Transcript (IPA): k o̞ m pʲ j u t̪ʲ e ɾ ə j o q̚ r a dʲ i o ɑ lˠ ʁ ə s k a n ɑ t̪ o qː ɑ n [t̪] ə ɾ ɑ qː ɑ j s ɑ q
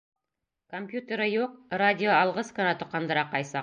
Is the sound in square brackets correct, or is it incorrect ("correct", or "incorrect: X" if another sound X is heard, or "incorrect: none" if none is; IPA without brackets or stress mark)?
incorrect: d̪